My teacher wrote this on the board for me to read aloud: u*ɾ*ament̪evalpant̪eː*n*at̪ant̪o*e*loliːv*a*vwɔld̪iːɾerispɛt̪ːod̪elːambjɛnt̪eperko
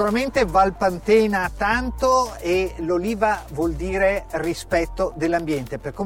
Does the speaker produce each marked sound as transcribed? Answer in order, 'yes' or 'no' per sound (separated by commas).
yes, yes, yes, yes